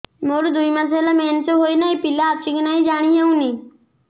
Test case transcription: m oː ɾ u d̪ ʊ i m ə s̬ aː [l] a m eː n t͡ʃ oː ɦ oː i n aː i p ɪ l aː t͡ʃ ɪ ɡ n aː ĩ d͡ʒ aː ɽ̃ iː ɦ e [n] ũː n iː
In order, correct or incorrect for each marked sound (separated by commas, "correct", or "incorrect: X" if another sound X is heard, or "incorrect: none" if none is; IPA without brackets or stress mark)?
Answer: correct, incorrect: none